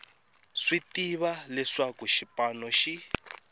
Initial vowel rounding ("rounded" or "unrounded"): unrounded